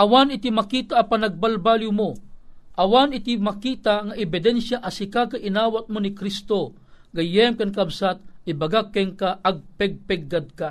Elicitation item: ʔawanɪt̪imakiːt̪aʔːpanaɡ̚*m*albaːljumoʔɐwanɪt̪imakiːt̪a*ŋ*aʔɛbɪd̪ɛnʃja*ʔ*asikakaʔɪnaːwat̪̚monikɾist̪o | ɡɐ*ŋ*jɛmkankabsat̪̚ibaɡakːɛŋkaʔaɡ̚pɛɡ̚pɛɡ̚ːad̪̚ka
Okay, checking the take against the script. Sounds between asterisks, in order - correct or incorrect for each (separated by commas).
incorrect, correct, correct, incorrect